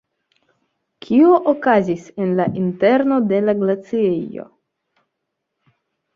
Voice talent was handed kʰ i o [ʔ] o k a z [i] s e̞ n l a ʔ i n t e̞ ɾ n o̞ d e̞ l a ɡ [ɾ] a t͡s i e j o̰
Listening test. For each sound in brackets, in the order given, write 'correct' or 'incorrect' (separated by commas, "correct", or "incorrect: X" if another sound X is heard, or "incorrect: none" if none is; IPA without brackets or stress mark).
correct, correct, incorrect: l